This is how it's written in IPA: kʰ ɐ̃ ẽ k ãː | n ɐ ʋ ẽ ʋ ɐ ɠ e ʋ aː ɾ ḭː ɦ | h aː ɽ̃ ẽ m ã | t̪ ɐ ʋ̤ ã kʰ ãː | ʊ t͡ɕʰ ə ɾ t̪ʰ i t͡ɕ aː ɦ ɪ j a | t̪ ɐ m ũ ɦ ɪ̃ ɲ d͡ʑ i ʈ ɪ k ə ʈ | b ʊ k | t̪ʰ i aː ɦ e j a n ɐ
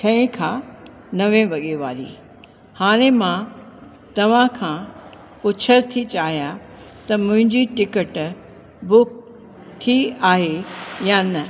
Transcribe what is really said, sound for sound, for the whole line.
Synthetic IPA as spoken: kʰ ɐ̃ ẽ kʰ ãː | n ɐ ʋ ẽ ʋ ɐ ɠ e ʋ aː ɾ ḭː | h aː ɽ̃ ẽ m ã | t̪ ɐ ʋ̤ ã kʰ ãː | ʊ t͡ɕʰ ə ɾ t̪ʰ i t͡ɕ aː ɦ i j a | t̪ ɐ m ʊ̃ ɦ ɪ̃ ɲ d͡ʑ i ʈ ɪ k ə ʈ | b ʊ k | t̪ʰ i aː ɦ e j a n ɐ